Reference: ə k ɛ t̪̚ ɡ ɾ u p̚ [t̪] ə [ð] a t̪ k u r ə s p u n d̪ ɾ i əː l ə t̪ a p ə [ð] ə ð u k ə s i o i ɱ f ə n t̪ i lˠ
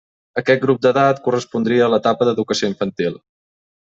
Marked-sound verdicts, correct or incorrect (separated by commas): incorrect, correct, correct